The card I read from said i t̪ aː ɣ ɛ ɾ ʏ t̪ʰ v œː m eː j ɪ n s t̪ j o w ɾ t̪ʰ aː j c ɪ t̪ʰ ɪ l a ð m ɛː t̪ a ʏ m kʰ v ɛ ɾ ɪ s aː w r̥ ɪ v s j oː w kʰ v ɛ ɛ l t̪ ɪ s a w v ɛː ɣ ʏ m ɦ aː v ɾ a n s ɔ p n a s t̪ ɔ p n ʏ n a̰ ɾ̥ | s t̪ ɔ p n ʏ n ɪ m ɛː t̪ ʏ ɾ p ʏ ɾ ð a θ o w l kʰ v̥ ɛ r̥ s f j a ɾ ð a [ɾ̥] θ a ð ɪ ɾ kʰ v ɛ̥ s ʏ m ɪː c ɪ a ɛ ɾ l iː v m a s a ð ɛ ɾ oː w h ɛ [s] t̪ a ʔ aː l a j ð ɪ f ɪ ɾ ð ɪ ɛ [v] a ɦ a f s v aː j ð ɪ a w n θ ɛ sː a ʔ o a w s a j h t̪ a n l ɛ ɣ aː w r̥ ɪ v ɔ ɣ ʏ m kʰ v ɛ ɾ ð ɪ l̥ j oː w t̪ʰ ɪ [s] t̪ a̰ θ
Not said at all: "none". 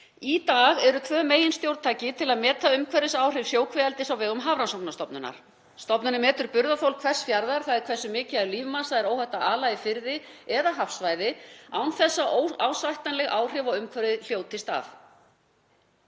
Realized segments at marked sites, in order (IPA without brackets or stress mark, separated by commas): ɾ̥, h, ð, s